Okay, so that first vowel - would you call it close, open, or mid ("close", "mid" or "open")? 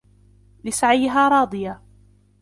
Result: close